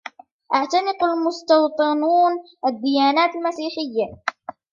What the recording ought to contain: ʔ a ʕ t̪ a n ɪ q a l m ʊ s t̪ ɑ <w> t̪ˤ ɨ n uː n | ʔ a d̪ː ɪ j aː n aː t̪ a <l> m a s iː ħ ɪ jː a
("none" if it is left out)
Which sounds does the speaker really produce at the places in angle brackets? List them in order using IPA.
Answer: w, l

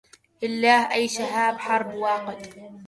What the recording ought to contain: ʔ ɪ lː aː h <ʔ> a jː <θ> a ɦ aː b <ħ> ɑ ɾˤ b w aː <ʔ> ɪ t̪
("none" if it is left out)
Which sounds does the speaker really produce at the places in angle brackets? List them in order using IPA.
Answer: ʔ, ʃ, ħ, q

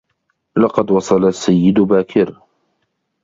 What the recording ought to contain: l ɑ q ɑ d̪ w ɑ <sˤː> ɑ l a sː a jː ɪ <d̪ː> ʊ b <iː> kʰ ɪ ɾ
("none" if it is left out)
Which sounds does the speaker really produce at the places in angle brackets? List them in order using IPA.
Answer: sˤ, d̪, aː

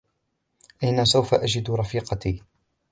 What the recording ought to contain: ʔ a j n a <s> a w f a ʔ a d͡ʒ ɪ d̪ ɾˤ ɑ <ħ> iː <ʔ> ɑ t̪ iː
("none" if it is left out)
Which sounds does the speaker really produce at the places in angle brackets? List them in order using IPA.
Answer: s, f, q

